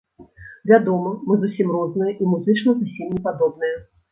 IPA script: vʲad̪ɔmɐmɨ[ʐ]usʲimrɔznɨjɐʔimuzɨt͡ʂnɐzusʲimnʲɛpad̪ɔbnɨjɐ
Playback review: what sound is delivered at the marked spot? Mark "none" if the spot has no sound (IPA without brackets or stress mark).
z